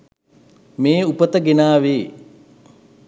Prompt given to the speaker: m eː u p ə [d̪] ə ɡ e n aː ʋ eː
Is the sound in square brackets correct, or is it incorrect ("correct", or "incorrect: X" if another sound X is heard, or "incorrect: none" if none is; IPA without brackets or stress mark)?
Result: incorrect: t̪